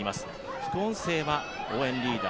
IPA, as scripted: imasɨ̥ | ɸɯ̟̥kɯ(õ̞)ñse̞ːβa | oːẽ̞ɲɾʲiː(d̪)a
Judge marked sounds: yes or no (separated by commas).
yes, yes